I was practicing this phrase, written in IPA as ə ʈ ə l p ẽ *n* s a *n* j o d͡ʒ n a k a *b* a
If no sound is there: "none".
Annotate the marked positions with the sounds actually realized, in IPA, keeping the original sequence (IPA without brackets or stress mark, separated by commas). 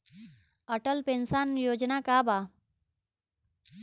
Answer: n, n, b